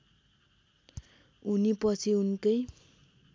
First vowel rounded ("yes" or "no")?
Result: yes